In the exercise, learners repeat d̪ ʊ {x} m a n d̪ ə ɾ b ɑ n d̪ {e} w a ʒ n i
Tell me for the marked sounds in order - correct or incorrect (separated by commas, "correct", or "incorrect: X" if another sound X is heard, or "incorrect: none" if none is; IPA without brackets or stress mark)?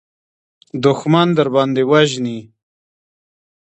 correct, correct